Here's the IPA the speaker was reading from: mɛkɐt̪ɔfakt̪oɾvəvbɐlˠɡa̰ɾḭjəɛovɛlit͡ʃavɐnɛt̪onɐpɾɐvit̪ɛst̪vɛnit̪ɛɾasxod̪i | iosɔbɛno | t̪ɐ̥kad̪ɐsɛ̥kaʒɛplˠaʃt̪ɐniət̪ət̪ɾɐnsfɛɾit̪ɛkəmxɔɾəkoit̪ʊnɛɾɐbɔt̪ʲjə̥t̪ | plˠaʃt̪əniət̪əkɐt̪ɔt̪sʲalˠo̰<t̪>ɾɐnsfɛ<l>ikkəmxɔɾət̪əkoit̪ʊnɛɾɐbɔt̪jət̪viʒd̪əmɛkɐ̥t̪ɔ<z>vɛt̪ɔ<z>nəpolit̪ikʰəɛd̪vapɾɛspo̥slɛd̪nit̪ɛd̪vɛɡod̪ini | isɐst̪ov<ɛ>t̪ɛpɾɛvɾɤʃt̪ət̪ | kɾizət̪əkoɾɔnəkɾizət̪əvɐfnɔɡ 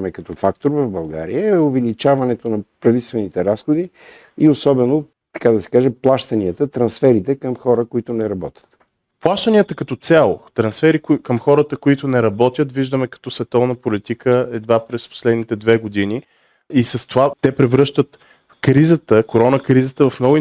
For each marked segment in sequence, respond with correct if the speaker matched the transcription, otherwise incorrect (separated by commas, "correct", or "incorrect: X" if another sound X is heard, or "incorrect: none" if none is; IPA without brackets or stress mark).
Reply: correct, incorrect: ɾ, incorrect: s, incorrect: v, incorrect: a